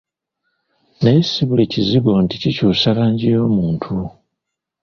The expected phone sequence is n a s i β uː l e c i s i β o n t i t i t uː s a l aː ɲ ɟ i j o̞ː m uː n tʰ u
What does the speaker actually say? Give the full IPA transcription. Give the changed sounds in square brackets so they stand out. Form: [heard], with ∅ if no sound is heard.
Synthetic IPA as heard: n [e] s i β [u] l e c i [z] i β o n t i [c] i [c] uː s a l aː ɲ ɟ i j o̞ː m uː n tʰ u